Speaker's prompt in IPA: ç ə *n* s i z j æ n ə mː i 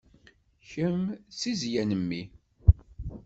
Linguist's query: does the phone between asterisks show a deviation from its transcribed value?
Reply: yes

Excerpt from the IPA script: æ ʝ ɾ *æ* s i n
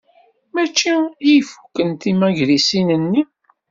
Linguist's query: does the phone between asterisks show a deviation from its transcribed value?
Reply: yes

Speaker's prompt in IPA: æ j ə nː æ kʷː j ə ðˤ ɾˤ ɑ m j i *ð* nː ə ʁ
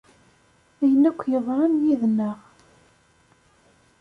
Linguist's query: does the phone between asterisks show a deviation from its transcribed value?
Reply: no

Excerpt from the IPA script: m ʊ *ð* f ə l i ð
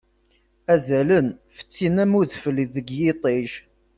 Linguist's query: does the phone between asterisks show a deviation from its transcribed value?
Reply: no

